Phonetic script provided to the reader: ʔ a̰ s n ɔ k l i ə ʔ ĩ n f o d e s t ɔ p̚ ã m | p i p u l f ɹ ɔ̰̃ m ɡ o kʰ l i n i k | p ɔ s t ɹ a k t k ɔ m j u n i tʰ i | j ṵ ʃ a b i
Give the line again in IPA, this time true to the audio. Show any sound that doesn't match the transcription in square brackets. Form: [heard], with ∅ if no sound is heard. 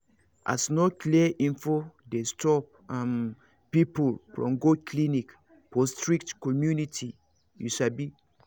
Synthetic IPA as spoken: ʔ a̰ s n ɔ k l i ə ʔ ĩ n f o d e s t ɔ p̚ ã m | p i p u l f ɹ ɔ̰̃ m ɡ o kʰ l i n i k | p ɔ s t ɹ [i] k t k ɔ m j u n i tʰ i | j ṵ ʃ a b i